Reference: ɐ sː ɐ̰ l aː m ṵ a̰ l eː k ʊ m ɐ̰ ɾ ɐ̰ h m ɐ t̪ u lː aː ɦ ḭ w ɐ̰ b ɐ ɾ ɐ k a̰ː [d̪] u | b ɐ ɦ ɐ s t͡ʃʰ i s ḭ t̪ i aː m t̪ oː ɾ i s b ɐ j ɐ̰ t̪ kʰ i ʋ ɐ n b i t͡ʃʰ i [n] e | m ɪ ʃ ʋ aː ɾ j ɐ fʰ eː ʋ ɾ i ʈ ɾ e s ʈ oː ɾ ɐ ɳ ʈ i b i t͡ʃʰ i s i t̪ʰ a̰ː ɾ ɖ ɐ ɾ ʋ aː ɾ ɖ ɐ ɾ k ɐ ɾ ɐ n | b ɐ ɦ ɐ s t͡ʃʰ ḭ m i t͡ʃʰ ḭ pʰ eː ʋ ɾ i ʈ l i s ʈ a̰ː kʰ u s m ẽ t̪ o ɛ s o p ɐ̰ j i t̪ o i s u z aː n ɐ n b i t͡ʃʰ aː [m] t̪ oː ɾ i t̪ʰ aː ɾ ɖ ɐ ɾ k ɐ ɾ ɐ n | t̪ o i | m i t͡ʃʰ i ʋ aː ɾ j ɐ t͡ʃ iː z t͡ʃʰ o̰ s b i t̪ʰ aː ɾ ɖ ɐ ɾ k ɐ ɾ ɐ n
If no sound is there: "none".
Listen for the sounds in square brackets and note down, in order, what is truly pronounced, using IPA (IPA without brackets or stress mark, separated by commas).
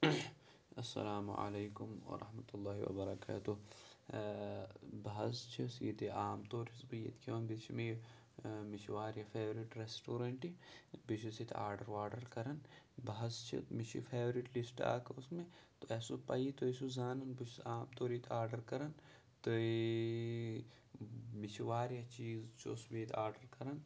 t̪, m, m